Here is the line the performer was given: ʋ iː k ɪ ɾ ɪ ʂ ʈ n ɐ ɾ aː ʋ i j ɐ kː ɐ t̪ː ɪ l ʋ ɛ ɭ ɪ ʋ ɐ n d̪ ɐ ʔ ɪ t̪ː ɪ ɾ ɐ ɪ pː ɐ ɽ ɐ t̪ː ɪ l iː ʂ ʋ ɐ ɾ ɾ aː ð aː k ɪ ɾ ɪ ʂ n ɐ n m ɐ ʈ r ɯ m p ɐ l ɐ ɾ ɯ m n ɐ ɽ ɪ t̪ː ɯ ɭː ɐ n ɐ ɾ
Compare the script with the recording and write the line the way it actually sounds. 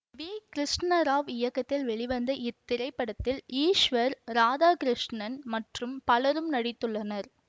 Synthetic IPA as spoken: ʋ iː k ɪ ɾ ɪ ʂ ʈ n ɐ ɾ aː ʋ ɪ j ɐ kː ɐ t̪ː ɪ l ʋ ɛ ɭ ɪ ʋ ɐ n d̪ ɐ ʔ ɪ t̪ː ɪ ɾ ɐ ɪ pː ɐ ɽ ɐ t̪ː ɪ l iː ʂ ʋ ɐ ɾ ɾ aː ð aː k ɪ ɾ ɪ ʂ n ɐ n m ɐ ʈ r ɯ m p ɐ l ɐ ɾ ɯ m n ɐ ɽ ɪ t̪ː ɯ ɭː ɐ n ɐ ɾ

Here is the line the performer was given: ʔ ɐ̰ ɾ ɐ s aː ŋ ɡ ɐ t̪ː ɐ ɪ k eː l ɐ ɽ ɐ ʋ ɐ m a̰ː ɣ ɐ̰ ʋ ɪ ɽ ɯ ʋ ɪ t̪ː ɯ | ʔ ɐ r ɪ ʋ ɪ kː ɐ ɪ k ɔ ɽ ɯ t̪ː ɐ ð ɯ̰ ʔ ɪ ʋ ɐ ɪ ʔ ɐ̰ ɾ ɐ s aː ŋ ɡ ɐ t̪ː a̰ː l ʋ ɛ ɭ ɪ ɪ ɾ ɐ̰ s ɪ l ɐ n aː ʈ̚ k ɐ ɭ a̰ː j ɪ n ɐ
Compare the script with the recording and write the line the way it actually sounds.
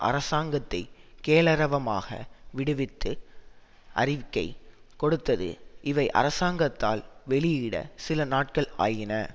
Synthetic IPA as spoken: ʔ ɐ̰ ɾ ɐ s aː ŋ ɡ ɐ t̪ː ɐ ɪ k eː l ɐ ɾ ɐ ʋ ɐ m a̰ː ɣ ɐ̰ ʋ ɪ ɽ ɯ ʋ ɪ t̪ː ɯ | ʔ ɐ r ɪ ʋ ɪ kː ɐ ɪ k ɔ ɽ ɯ t̪ː ɐ ð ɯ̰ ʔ ɪ ʋ ɐ ɪ ʔ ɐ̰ ɾ ɐ s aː ŋ ɡ ɐ t̪ː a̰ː l ʋ ɛ ɭ ɪ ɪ ɽ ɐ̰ s ɪ l ɐ n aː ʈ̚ k ɐ ɭ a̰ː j ɪ n ɐ

